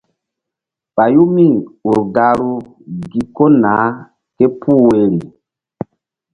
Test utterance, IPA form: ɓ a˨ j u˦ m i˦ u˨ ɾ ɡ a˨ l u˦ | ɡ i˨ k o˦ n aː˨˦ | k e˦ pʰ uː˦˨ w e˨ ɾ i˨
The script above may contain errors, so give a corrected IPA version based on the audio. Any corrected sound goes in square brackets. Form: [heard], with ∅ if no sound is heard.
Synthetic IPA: ɓ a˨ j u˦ m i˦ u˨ ɾ ɡ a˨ [ɾ] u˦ | ɡ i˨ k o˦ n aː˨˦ | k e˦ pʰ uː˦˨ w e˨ ɾ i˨